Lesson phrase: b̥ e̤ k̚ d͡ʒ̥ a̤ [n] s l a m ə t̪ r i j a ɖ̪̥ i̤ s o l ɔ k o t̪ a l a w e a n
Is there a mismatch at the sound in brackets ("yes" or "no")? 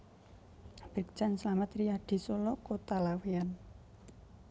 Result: no